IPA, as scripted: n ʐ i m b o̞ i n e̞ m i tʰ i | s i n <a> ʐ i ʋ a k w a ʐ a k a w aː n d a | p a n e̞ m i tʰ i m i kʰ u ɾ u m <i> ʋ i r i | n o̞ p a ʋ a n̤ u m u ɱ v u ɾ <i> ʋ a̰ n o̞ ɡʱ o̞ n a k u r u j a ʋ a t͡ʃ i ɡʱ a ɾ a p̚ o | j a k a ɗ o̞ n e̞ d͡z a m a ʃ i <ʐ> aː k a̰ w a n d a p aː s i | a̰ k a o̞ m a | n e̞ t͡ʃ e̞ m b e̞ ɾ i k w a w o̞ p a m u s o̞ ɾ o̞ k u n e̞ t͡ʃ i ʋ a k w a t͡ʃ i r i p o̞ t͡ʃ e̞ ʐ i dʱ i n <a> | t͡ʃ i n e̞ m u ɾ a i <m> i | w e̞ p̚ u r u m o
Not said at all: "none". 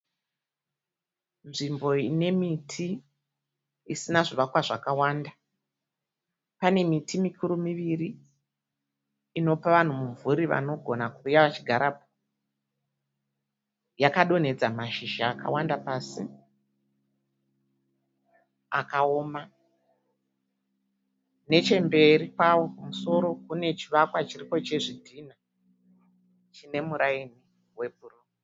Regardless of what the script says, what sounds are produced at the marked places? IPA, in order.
a, i, i, ʒ, a, n

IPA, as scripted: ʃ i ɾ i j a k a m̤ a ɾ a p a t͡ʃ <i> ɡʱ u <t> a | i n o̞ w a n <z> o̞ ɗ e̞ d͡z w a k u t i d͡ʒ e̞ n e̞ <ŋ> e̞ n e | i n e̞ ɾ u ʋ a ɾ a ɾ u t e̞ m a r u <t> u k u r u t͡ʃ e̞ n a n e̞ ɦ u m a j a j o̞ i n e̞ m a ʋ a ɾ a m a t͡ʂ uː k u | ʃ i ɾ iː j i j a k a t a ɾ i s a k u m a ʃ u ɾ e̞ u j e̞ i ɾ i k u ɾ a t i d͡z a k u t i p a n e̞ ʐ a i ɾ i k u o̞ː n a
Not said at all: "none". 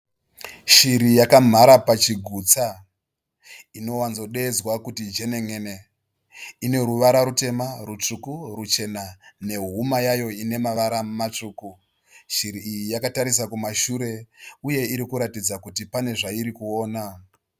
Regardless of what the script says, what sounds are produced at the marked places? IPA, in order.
i, t͡s, z, ŋ, t͡ʂ

